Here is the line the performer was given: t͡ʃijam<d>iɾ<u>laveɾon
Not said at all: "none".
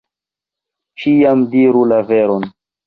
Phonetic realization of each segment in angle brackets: d, u

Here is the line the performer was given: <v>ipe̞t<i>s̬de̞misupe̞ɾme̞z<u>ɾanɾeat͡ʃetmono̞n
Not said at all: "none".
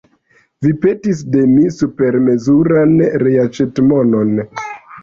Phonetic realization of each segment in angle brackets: v, i, u

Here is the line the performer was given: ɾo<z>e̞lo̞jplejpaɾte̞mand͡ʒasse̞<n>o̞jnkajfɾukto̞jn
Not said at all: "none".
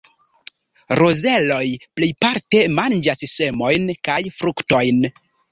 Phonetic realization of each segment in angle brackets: z, m

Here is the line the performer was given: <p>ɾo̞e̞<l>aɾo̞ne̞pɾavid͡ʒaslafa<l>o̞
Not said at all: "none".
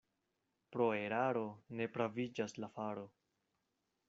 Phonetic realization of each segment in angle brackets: p, ɾ, ɾ

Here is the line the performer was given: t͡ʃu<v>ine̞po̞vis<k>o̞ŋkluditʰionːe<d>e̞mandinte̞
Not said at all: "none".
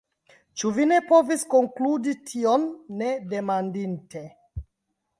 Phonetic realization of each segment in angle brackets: v, k, d

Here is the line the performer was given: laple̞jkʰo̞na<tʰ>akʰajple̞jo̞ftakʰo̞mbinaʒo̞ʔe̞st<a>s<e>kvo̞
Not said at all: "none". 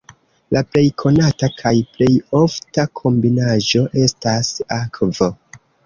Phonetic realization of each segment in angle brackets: t, a, a

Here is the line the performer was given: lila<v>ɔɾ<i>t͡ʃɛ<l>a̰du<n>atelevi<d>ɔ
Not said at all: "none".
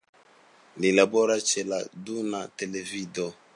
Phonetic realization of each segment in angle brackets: b, a, l, n, d

